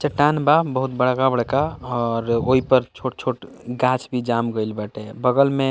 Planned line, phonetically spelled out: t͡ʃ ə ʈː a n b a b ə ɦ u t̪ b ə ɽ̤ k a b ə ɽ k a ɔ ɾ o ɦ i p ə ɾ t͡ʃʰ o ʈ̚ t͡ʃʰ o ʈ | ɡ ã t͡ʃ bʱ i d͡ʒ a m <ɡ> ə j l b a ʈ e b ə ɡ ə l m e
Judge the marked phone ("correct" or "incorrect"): correct